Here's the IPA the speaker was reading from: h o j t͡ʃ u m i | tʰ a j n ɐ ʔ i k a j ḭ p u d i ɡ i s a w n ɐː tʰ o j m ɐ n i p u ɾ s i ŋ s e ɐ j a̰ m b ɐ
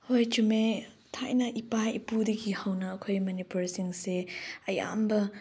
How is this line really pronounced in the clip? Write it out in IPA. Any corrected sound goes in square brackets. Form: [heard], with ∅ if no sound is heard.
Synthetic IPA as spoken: h o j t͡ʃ u m [e] | tʰ a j n ɐ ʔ i [p] a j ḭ p u d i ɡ i [h] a w n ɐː [kʰ] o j m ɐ n i p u ɾ s i ŋ s e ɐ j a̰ m b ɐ